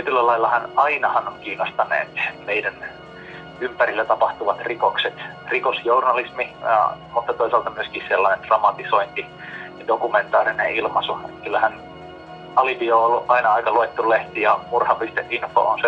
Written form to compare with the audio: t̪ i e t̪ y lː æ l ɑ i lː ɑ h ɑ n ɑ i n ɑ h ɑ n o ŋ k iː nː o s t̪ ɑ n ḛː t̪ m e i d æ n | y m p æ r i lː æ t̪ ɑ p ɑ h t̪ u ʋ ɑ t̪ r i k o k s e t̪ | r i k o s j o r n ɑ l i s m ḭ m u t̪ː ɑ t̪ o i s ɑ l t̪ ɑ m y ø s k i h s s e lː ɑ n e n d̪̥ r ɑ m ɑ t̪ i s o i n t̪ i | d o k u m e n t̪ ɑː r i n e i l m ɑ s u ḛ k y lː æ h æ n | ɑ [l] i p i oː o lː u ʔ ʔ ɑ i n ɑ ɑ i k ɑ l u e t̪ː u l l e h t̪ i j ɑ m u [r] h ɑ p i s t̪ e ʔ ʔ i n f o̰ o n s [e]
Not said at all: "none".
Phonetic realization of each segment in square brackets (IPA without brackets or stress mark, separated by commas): l, r, e